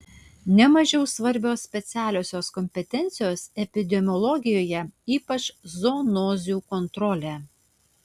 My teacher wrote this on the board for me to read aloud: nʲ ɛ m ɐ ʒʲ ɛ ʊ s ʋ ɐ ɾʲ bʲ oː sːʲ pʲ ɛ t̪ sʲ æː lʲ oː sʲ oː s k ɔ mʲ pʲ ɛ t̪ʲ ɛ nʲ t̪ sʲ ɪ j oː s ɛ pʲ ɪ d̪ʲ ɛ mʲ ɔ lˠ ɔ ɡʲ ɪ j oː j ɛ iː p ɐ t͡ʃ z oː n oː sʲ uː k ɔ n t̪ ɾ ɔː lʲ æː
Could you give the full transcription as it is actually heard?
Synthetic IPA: nʲ ɛ m ɐ ʒʲ ɛ ʊ s ʋ ɐ ɾʲ bʲ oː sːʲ pʲ ɛ t̪ sʲ æː lʲ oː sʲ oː s k ɔ mʲ pʲ ɛ t̪ʲ ɛ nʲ t̪ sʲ ɪ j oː s ɛ pʲ ɪ d̪ʲ ɛ mʲ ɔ lˠ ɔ ɡʲ ɪ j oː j ɛ iː p ɐ t͡ʃ z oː n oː zʲ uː k ɔ n t̪ ɾ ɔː lʲ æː

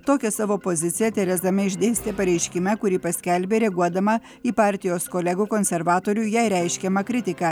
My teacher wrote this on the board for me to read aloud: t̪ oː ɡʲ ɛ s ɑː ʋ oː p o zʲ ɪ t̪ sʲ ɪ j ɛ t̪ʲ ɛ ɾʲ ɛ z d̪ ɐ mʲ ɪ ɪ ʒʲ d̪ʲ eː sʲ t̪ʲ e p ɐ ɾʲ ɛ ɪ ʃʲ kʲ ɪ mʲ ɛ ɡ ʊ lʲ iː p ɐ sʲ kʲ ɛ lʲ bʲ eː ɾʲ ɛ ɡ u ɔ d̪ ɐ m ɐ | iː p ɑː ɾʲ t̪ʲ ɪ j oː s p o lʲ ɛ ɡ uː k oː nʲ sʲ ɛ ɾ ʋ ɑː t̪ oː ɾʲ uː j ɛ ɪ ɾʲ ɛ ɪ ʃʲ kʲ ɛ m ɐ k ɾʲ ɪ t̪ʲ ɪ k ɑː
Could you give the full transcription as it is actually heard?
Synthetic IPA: t̪ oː kʲ ɛ s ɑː ʋ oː p o zʲ ɪ t̪ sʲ ɪ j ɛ t̪ʲ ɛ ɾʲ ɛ z d̪ ɐ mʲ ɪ ɪ ʒʲ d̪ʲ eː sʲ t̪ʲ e p ɐ ɾʲ ɛ ɪ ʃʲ kʲ ɪ mʲ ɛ k ʊ ɾʲ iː p ɐ sʲ kʲ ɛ lʲ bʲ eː ɾʲ ɛ ɡ u ɔ d̪ ɐ m ɐ | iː p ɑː ɾʲ t̪ʲ ɪ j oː s k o lʲ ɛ ɡ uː k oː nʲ sʲ ɛ ɾ ʋ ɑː t̪ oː ɾʲ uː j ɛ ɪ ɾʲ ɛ ɪ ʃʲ kʲ ɛ m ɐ k ɾʲ ɪ t̪ʲ ɪ k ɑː

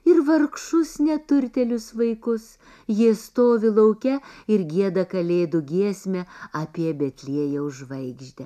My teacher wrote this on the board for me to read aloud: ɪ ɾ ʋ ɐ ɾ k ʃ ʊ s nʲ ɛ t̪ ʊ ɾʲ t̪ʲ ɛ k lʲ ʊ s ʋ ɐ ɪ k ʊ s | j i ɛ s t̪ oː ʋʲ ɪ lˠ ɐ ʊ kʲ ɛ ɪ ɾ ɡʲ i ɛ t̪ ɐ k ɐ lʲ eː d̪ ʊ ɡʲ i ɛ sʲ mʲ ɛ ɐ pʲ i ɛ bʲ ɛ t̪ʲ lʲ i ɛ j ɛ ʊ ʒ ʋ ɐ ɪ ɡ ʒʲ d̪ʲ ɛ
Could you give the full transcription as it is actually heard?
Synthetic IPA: ɪ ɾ ʋ ɐ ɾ k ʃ ʊ s nʲ ɛ t̪ ʊ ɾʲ t̪ʲ ɛ lʲ ʊ s ʋ ɐ ɪ k ʊ s | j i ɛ s t̪ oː ʋʲ ɪ lˠ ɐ ʊ kʲ ɛ ɪ ɾ ɡʲ i ɛ d̪ ɐ k ɐ lʲ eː d̪ ʊ ɡʲ i ɛ sʲ mʲ ɛ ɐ pʲ i ɛ bʲ ɛ t̪ʲ lʲ i ɛ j ɛ ʊ ʒ ʋ ɐ ɪ ɡ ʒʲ d̪ʲ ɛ

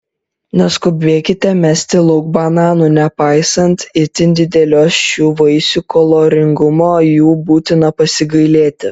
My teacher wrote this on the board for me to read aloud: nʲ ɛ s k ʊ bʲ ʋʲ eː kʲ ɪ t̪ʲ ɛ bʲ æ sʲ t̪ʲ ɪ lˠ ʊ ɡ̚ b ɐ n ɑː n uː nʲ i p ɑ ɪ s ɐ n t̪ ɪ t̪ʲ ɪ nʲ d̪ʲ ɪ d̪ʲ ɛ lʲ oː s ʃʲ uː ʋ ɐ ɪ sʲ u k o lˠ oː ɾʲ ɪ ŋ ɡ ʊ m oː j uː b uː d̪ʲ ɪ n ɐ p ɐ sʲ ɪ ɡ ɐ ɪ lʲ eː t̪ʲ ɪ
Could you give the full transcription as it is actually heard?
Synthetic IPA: nʲ ɛ s k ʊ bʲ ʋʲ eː kʲ ɪ t̪ʲ ɛ mʲ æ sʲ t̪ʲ ɪ lˠ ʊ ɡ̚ b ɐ n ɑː n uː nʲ ɛ p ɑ ɪ s ɐ n t̪ ɪ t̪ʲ ɪ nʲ d̪ʲ ɪ d̪ʲ ɛ lʲ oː s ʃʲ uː ʋ ɐ ɪ sʲ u k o lˠ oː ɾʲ ɪ ŋ ɡ ʊ m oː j uː b uː t̪ʲ ɪ n ɐ p ɐ sʲ ɪ ɡ ɐ ɪ lʲ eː t̪ʲ ɪ

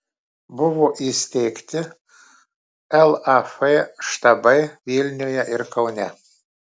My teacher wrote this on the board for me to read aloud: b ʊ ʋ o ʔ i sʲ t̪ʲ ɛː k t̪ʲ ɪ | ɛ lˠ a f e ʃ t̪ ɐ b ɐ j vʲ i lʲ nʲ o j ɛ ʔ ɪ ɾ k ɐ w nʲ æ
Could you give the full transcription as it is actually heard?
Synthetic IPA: b ʊ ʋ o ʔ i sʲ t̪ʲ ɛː k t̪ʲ ɪ | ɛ lˠ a f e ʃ t̪ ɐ b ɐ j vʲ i lʲ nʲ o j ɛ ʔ ɪ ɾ k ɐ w nʲ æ

